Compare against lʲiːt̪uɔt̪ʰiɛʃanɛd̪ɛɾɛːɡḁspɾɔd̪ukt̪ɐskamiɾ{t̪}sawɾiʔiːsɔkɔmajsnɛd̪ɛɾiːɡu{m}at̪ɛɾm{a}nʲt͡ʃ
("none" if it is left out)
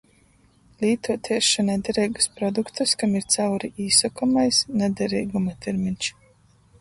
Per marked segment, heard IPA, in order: t̪, m, i

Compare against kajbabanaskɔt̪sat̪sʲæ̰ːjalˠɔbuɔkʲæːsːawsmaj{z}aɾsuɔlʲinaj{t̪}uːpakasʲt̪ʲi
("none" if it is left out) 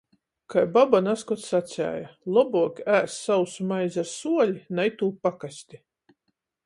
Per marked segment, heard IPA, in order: z, t̪

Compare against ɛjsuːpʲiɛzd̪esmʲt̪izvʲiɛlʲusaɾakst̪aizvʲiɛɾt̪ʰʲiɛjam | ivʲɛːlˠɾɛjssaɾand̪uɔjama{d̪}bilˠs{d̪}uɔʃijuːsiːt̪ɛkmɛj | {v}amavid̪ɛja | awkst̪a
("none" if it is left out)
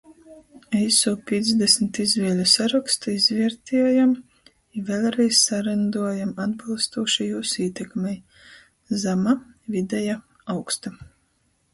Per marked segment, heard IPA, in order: d̪, t̪, z

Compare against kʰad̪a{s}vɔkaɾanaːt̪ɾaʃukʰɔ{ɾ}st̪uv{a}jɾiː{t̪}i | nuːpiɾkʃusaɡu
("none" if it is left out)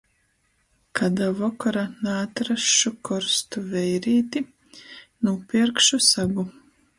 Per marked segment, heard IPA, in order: none, ɾ, ɛ, t̪

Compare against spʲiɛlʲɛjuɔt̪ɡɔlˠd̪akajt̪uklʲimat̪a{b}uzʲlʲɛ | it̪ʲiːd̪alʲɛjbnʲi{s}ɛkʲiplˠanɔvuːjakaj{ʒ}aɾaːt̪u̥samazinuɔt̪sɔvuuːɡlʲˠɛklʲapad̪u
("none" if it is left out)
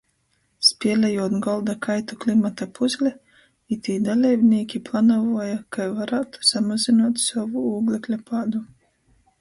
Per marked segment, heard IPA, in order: p, none, v

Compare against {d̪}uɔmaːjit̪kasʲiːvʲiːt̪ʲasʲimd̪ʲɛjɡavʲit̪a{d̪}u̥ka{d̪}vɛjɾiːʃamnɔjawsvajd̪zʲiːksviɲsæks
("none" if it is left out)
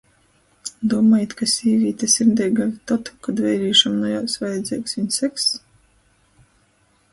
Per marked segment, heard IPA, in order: d̪, t̪, d̪

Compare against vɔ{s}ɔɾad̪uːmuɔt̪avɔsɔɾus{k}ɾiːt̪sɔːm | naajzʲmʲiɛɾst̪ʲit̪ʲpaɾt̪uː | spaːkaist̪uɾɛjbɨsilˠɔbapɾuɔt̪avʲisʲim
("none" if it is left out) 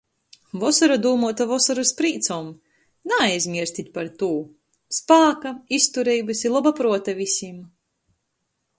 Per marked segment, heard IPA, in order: s, p

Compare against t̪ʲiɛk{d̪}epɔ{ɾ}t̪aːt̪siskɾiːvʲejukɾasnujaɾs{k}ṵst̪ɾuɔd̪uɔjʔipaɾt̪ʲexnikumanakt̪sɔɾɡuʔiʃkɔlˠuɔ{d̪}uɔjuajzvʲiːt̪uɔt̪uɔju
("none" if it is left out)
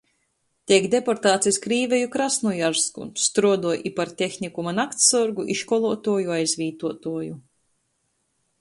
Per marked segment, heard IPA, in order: d̪, ɾ, k, t̪

